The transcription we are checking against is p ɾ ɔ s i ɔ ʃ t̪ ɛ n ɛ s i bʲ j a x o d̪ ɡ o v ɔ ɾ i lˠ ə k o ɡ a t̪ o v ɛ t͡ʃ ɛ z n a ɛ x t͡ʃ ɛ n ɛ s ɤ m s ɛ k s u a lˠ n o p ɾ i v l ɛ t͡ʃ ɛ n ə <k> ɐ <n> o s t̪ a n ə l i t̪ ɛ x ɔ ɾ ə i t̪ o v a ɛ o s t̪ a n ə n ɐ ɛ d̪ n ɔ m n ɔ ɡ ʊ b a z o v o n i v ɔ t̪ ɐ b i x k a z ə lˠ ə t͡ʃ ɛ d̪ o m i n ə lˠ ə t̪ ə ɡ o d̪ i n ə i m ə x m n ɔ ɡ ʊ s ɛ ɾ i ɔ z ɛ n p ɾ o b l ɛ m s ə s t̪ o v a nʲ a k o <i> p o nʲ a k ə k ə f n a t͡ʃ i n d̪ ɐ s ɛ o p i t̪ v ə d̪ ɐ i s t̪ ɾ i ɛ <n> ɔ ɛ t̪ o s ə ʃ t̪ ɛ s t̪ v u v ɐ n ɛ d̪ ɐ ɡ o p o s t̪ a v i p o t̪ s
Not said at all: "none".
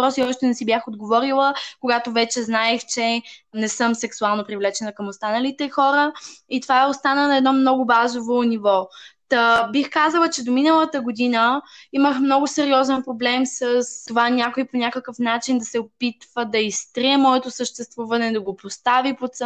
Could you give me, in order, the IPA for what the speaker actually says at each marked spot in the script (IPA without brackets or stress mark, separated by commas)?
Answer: k, m, i, m